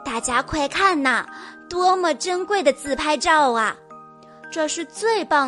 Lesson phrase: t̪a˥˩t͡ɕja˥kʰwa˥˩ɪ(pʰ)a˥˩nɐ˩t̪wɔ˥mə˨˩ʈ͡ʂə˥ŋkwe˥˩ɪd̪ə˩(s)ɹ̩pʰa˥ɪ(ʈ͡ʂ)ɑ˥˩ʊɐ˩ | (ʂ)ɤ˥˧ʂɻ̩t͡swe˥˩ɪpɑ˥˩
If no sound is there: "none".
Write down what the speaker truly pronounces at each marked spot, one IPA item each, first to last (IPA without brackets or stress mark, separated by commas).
kʰ, t͡s, ʈ͡ʂ, ʈ͡ʂ